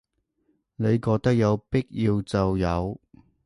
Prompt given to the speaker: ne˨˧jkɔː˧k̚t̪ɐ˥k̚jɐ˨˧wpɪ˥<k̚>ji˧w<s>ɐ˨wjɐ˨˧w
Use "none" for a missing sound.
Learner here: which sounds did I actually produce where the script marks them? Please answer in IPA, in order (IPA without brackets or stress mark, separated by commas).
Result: k̚, t͡s